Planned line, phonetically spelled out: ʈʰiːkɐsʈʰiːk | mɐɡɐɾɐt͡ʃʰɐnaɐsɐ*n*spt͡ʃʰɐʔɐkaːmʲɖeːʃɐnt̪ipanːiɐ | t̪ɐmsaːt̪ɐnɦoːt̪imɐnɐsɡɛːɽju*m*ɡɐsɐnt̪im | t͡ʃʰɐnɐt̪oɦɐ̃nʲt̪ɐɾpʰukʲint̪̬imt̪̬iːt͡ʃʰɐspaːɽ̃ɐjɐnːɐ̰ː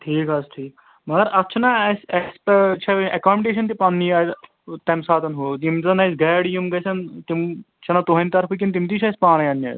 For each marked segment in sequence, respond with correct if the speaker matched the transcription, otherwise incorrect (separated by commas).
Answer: incorrect, correct